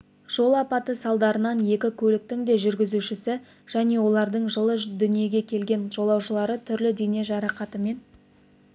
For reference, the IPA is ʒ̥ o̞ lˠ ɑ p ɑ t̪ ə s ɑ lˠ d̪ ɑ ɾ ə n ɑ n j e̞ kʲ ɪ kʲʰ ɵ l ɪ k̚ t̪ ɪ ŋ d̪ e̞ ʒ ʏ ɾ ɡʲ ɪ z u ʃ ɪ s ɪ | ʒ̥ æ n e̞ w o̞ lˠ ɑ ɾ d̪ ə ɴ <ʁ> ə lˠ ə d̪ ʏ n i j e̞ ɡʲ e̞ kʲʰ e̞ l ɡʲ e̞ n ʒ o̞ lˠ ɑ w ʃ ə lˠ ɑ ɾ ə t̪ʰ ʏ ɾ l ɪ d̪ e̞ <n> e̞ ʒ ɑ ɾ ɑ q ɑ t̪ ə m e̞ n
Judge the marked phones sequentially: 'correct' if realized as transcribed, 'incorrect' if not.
incorrect, correct

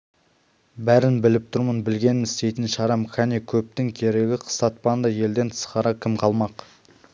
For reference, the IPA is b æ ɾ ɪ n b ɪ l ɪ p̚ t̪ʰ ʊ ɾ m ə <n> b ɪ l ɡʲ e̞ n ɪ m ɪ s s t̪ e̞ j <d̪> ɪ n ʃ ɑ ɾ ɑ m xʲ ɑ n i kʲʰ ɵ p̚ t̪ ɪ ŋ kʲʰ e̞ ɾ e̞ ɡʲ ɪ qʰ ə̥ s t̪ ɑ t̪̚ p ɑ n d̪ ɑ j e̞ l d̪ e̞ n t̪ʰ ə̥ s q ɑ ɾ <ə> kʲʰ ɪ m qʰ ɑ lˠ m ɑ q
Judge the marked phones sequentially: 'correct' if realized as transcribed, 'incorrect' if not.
correct, incorrect, incorrect

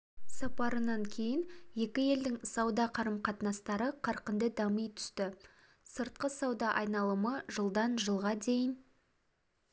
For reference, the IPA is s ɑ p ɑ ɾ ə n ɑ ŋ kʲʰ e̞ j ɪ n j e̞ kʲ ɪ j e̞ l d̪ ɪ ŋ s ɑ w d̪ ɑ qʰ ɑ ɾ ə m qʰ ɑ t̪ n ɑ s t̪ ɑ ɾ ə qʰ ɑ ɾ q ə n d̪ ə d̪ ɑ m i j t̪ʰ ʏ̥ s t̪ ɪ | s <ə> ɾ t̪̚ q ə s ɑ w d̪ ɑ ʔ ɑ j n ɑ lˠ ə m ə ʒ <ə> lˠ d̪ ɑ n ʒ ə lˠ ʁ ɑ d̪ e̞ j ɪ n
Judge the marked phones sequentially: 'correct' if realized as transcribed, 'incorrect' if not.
correct, correct

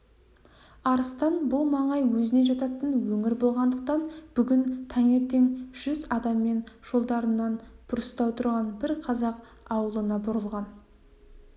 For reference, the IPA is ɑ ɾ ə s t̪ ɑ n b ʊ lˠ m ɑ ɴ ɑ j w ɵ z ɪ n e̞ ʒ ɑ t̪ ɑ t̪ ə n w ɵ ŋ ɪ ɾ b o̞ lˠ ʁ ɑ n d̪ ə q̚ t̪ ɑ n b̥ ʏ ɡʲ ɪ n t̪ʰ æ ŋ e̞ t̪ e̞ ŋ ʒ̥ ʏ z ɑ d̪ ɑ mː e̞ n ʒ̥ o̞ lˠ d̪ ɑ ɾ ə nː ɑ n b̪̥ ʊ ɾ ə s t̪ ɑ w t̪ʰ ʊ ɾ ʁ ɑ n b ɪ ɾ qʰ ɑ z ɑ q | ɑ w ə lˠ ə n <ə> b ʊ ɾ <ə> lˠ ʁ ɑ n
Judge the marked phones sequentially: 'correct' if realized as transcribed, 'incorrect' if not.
incorrect, correct

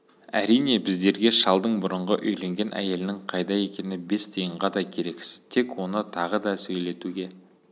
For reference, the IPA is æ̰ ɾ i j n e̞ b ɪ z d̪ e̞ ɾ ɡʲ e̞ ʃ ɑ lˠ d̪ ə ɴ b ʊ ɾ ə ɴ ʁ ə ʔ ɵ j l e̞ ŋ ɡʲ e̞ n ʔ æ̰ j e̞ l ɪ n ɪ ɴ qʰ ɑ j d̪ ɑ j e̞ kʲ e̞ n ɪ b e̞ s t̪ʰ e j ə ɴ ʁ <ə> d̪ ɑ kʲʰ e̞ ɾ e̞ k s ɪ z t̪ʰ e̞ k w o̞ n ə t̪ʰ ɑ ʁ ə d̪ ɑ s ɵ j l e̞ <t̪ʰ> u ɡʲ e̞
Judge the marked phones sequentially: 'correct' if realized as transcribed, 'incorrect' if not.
incorrect, incorrect

